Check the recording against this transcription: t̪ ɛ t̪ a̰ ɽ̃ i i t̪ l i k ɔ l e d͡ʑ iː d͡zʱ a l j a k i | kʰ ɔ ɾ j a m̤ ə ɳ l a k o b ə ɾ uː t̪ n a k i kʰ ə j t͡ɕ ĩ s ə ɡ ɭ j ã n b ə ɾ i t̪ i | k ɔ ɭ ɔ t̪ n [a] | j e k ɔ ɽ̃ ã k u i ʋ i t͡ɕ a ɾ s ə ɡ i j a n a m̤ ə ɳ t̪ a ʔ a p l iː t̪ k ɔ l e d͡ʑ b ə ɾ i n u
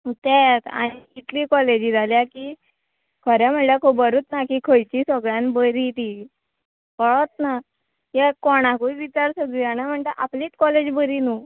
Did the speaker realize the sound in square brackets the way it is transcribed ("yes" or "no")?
yes